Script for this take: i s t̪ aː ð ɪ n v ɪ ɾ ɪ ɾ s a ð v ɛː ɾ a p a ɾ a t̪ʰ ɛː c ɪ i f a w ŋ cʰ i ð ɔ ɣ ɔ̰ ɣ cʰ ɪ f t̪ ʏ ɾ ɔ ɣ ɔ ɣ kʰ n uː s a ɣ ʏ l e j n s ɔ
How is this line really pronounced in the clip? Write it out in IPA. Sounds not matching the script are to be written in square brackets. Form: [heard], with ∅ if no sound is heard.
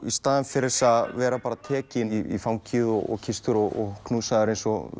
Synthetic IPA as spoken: i s t̪ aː ð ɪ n [f] ɪ ɾ ɪ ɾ s a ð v ɛː ɾ a p a ɾ a t̪ʰ ɛː c ɪ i f a w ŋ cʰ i ð ɔ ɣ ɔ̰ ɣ cʰ ɪ [s] t̪ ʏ ɾ ɔ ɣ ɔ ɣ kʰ n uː s a [ð] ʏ [ɾ] e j n s ɔ